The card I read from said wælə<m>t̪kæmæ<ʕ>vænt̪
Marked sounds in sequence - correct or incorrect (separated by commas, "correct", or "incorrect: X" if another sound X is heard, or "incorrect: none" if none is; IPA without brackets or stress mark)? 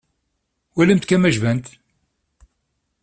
correct, incorrect: ʒ